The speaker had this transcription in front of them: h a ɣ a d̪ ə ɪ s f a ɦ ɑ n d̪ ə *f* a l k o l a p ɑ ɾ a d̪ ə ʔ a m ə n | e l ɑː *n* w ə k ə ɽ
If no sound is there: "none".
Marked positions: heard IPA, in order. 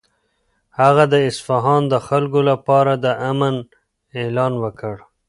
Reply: x, n

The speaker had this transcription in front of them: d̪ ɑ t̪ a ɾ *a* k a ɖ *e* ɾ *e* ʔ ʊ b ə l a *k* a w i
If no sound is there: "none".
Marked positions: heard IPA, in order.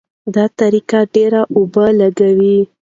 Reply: i, e, a, ɡ

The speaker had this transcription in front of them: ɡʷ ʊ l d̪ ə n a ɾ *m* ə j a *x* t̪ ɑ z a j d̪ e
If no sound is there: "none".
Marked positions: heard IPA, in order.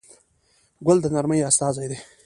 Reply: m, s

